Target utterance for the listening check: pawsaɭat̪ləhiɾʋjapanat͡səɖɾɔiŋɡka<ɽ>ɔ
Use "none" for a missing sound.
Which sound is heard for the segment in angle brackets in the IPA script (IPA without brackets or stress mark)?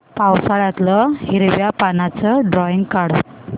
ɽ